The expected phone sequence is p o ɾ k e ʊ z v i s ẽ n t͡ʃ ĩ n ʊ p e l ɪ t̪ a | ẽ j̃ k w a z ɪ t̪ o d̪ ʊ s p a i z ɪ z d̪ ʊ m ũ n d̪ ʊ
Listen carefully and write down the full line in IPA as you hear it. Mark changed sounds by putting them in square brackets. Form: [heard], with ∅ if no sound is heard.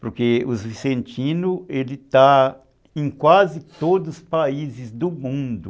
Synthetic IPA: p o ɾ k e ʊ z v i s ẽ n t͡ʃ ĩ n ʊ [∅] e l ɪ t̪ a | ẽ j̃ k w a z ɪ t̪ o d̪ ʊ s p a i z ɪ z d̪ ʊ m ũ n d̪ ʊ